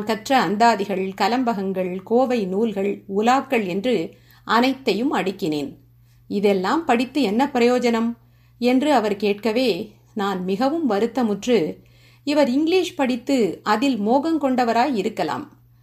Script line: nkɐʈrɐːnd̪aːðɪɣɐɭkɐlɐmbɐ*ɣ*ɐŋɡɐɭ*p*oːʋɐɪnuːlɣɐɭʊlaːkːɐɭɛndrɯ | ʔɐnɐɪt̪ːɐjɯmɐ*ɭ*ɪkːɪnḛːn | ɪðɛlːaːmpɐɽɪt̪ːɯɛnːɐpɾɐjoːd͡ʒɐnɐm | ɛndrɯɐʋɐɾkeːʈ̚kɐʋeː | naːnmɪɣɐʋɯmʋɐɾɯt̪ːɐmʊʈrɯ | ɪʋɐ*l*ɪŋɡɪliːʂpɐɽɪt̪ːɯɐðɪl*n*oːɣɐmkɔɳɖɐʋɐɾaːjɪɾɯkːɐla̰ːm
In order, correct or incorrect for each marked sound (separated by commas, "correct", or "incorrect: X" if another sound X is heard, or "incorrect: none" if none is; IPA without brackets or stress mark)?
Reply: correct, incorrect: k, incorrect: ɽ, incorrect: ɾ, incorrect: m